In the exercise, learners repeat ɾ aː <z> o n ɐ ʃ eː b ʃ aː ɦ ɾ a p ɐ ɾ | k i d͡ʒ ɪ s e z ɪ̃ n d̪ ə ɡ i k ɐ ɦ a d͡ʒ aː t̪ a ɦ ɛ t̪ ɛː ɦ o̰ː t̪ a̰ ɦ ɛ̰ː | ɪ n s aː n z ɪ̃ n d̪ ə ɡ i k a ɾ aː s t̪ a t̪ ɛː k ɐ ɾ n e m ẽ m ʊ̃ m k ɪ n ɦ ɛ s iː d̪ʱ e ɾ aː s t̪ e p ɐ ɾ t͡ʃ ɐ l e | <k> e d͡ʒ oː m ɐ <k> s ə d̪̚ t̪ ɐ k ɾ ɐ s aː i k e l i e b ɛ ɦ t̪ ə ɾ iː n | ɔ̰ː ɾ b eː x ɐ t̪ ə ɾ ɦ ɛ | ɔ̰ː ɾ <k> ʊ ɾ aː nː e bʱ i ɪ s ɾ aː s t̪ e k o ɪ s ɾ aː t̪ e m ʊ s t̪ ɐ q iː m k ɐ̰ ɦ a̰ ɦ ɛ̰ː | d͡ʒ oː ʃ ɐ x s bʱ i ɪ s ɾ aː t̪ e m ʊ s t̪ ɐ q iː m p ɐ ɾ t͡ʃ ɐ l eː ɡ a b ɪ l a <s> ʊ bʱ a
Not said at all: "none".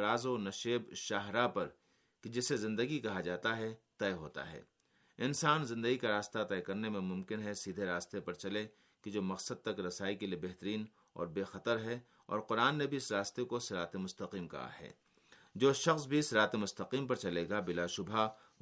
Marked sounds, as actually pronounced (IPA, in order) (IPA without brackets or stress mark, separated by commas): z, k, q, q, ʃ